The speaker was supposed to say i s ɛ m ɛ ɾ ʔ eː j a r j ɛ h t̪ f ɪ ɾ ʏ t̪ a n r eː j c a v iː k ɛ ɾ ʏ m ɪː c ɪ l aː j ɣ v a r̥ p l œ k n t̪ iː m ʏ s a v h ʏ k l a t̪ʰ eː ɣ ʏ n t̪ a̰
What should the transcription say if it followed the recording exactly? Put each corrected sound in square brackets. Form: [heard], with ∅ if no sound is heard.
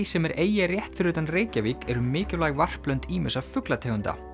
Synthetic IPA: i s ɛ m ɛ ɾ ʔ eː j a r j ɛ h t̪ f ɪ ɾ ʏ t̪ a n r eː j c a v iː k ɛ ɾ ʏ m ɪː c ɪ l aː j ɣ v a r̥ p l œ [∅] n t̪ iː m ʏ s a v [f] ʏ k l a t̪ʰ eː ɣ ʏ n t̪ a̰